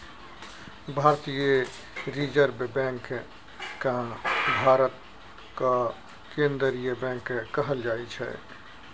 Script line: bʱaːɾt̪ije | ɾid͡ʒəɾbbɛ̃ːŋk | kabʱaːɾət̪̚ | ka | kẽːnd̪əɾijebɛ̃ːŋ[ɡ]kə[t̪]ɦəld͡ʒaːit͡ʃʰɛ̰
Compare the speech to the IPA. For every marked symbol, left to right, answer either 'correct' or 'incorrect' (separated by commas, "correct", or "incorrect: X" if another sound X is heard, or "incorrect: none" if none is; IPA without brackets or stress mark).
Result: incorrect: k, incorrect: none